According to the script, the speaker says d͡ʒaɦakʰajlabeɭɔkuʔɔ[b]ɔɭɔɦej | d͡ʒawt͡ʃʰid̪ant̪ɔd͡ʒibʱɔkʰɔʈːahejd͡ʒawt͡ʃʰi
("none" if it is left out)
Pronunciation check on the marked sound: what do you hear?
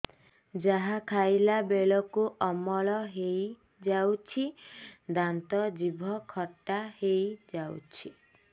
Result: m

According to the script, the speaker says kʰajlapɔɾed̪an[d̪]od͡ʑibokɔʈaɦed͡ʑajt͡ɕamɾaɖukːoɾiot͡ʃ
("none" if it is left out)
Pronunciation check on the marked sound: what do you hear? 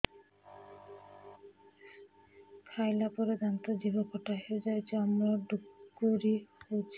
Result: t̪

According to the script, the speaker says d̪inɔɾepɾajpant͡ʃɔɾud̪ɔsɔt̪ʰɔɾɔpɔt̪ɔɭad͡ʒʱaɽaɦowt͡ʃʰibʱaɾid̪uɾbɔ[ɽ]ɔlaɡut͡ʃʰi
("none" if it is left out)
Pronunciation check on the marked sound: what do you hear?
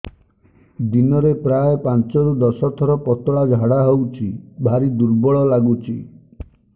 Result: ɭ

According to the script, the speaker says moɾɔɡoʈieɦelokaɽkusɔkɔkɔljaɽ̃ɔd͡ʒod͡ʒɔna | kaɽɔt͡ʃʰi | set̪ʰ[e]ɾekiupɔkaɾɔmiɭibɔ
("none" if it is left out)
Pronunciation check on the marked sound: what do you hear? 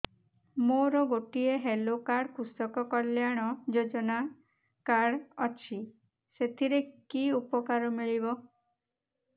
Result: i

